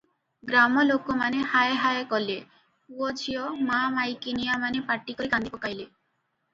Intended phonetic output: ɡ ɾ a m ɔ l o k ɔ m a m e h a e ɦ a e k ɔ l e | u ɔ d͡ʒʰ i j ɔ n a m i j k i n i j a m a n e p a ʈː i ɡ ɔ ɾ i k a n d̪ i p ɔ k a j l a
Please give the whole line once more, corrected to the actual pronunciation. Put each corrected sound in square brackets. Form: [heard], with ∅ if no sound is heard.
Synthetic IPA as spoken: ɡ ɾ a m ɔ l o k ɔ m a [n] e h a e ɦ a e k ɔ l e | u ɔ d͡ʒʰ i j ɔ [m] a m [a] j k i n i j a m a n e p a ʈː i [k] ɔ ɾ i k a n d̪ i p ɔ k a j l [e]

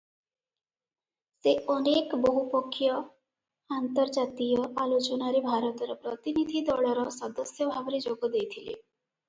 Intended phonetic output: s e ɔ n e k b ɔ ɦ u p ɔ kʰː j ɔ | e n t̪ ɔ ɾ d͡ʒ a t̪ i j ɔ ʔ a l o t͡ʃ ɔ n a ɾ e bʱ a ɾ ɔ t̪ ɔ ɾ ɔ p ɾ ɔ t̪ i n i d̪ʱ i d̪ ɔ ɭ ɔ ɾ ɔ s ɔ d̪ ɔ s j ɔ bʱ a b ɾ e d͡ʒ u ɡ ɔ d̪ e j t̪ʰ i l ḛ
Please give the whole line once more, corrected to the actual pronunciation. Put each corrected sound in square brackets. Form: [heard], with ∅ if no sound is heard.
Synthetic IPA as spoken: s e ɔ n e k b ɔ ɦ u p ɔ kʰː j ɔ | [a] n t̪ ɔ ɾ d͡ʒ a t̪ i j ɔ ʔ a l o t͡ʃ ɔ n a ɾ e bʱ a ɾ ɔ t̪ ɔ ɾ ɔ p ɾ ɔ t̪ i n i d̪ʱ i d̪ ɔ ɭ ɔ ɾ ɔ s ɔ d̪ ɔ s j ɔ bʱ a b ɾ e d͡ʒ [o] ɡ ɔ d̪ e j t̪ʰ i l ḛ

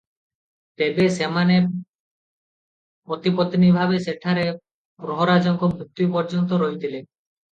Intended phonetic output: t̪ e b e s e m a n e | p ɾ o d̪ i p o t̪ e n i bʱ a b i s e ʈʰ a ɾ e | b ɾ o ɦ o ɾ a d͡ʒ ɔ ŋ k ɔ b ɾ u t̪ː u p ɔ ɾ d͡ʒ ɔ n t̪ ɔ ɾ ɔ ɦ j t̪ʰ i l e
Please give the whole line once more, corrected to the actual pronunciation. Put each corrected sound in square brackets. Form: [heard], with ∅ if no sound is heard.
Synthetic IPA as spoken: t̪ e b e s e m a n e | p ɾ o [t̪] i p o t̪ [i] n i bʱ a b [e] s e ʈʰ a ɾ e | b ɾ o ɦ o ɾ a d͡ʒ ɔ ŋ k ɔ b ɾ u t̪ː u p ɔ ɾ d͡ʒ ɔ n t̪ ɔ ɾ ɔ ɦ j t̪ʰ i l e

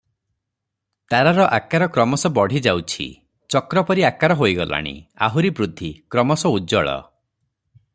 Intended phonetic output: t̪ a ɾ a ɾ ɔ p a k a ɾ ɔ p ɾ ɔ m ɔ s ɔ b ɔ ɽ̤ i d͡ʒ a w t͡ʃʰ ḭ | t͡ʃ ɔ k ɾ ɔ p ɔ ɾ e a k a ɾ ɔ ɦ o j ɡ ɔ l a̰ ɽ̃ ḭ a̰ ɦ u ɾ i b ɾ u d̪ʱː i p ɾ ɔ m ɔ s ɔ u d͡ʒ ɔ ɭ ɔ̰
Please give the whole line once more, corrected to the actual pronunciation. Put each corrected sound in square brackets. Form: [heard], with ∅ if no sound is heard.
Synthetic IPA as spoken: t̪ a ɾ a ɾ ɔ [ʔ] a k a ɾ ɔ [k] ɾ ɔ m ɔ s ɔ b ɔ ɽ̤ i d͡ʒ a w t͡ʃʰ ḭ | t͡ʃ ɔ k ɾ ɔ p ɔ ɾ [i] a k a ɾ ɔ ɦ o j ɡ ɔ l a̰ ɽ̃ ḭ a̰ ɦ u ɾ i b ɾ u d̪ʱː i [k] ɾ ɔ m ɔ s ɔ u d͡ʒ ɔ ɭ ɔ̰

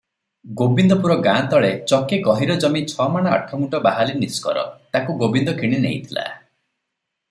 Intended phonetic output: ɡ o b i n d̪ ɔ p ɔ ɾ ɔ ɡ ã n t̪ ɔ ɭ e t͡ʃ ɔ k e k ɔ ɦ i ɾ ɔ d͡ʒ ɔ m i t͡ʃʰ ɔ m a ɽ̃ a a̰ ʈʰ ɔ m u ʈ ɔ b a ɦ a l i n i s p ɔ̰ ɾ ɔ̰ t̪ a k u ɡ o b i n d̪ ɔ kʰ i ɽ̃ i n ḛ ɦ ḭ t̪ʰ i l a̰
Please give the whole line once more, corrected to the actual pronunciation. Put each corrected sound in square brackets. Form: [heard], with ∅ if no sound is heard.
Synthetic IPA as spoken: ɡ o b i n d̪ ɔ p [u] ɾ ɔ ɡ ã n t̪ ɔ ɭ e t͡ʃ ɔ k e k ɔ ɦ i ɾ ɔ d͡ʒ ɔ m i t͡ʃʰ ɔ m a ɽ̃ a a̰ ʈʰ ɔ m u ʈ ɔ b a ɦ a l i n i s [k] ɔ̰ ɾ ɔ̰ t̪ a k u ɡ o b i n d̪ ɔ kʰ i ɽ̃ i n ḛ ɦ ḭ t̪ʰ i l a̰

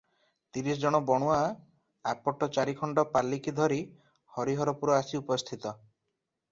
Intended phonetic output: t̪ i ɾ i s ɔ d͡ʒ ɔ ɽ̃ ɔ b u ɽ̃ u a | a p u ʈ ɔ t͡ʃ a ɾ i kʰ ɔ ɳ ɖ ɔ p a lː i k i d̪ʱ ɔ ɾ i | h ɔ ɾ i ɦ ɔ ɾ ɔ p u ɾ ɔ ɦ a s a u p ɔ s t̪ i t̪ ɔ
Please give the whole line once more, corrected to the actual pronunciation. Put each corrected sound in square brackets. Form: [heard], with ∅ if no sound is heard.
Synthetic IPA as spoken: t̪ i ɾ i s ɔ d͡ʒ ɔ ɽ̃ ɔ b [ɔ] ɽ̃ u a | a p [ɔ] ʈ ɔ t͡ʃ a ɾ i kʰ ɔ ɳ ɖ ɔ p a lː i k i d̪ʱ ɔ ɾ i | h ɔ ɾ i ɦ ɔ ɾ ɔ p u ɾ ɔ [∅] a s [i] u p ɔ s [t̪ʰ] i t̪ ɔ

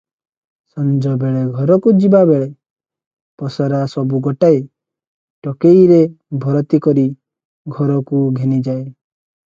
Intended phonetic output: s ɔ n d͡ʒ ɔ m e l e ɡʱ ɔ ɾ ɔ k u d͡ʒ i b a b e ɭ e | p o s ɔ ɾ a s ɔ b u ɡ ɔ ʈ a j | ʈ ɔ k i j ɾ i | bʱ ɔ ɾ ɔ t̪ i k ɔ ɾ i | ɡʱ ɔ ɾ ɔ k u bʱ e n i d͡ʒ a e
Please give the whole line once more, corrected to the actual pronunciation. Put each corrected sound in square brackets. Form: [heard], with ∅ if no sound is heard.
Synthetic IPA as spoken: s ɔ n d͡ʒ ɔ [b] e [ɭ] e ɡʱ ɔ ɾ ɔ k u d͡ʒ i b a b e ɭ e | p [ɔ] s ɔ ɾ a s ɔ b u ɡ ɔ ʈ a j | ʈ ɔ k [e] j ɾ [e] | bʱ ɔ ɾ ɔ t̪ i k ɔ ɾ i | ɡʱ ɔ ɾ ɔ k u [ɡʱ] e n i d͡ʒ a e

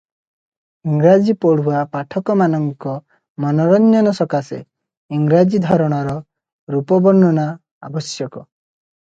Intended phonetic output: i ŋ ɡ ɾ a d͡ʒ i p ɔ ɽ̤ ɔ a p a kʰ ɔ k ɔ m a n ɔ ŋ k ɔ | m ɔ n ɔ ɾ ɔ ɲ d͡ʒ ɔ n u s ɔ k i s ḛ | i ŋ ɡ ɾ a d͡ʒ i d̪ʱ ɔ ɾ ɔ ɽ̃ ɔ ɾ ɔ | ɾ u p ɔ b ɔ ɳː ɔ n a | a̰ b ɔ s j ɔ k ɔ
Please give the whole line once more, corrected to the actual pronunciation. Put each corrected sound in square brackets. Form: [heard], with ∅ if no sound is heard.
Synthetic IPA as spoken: i ŋ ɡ ɾ a d͡ʒ i p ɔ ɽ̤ [u] a p a [ʈʰ] ɔ k ɔ m a n ɔ ŋ k ɔ | m ɔ n ɔ ɾ ɔ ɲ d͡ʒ ɔ n [ɔ] s ɔ k [a] s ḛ | i ŋ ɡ ɾ a d͡ʒ i d̪ʱ ɔ ɾ ɔ ɽ̃ ɔ ɾ ɔ | ɾ u p ɔ b ɔ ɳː ɔ n a | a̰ b ɔ s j ɔ k ɔ

